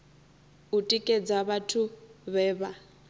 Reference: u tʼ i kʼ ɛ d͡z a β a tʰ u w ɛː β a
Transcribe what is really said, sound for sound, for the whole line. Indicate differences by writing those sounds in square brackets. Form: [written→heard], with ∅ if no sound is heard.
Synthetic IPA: u tʼ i kʼ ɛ d͡z a β a tʰ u [w→β] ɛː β a